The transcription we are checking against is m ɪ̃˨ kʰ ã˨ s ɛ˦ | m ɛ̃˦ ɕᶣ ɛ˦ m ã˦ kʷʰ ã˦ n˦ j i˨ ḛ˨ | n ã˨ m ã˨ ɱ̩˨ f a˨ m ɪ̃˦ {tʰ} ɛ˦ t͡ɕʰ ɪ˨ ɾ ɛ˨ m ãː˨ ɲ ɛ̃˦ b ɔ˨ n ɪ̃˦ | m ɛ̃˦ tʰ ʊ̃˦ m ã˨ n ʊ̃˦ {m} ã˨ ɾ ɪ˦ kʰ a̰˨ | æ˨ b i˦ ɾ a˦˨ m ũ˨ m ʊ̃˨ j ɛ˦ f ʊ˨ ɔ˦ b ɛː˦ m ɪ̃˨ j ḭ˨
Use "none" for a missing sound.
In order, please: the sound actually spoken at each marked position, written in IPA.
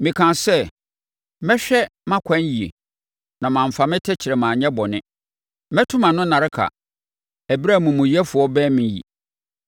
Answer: tʰ, n

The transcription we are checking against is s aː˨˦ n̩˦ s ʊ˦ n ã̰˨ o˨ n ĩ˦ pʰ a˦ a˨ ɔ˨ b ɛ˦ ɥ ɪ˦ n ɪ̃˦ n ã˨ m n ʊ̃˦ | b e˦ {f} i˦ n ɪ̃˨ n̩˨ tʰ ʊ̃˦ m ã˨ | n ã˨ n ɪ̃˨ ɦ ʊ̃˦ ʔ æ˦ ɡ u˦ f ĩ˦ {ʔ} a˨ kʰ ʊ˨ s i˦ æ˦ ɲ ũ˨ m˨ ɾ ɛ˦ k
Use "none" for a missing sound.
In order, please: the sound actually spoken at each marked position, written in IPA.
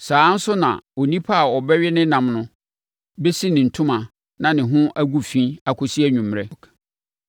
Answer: s, none

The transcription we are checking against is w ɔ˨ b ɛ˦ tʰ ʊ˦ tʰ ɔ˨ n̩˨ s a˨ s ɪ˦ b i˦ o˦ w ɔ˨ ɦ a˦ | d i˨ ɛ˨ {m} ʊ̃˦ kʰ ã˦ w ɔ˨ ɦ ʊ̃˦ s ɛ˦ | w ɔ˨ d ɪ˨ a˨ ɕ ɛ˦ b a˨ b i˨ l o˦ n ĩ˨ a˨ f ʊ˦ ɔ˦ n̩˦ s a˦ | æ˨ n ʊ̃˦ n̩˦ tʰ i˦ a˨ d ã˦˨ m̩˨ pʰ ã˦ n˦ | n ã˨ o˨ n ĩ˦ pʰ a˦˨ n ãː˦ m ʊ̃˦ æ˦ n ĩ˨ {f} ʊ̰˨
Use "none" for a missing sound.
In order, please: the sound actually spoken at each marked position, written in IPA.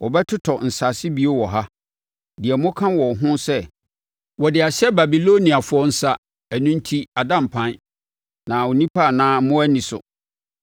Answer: m, s

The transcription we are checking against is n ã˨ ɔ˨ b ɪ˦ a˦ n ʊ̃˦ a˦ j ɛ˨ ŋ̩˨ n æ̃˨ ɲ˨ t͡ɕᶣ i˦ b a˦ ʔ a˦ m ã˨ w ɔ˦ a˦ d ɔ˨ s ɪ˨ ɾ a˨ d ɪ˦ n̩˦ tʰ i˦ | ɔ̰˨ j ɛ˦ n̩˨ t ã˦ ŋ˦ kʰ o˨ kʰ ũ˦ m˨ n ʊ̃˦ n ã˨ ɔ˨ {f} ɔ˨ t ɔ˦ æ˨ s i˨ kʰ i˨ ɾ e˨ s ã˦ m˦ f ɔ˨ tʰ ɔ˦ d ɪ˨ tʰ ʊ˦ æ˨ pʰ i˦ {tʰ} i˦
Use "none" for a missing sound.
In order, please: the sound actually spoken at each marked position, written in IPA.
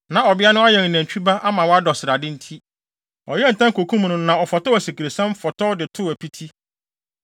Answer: f, tʰ

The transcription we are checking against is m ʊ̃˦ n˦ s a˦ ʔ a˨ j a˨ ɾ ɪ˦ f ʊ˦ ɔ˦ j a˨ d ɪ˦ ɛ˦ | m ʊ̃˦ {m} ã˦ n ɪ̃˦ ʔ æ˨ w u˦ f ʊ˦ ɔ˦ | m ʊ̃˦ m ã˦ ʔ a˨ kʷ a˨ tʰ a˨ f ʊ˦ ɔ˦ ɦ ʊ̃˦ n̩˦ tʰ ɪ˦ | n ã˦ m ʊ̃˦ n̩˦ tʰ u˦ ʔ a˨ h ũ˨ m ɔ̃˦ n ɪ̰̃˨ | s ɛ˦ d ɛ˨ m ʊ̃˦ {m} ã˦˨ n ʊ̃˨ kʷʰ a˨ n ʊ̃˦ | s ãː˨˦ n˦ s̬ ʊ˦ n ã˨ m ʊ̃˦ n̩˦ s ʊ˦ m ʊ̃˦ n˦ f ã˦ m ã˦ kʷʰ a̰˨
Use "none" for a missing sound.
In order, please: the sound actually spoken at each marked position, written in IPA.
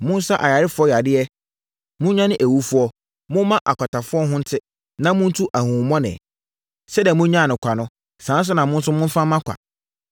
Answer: ɲ, ɲ

